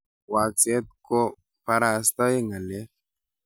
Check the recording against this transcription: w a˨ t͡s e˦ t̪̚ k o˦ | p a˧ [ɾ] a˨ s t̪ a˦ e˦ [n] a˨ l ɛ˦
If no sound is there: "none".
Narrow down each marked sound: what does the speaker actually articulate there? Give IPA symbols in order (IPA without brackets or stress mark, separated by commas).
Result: ɾ, ŋ